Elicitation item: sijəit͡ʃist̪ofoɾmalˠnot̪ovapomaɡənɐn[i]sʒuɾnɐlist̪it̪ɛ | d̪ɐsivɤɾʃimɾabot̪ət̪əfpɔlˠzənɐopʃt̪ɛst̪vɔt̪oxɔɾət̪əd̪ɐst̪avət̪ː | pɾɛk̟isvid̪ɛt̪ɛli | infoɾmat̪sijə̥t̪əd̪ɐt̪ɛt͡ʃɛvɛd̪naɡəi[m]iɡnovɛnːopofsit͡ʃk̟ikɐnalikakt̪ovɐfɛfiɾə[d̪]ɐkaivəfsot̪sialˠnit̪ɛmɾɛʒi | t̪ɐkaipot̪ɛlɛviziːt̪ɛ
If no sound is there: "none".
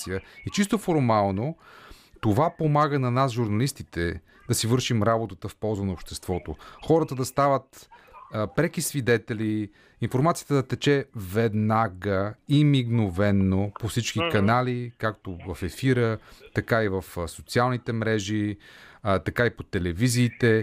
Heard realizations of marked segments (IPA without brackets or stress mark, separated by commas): a, m, t̪